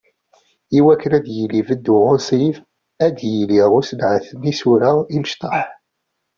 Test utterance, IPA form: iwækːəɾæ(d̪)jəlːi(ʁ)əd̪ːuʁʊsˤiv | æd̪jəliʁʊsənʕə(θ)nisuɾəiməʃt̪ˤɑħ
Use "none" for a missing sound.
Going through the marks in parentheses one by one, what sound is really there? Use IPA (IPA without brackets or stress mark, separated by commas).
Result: d̪, v, θ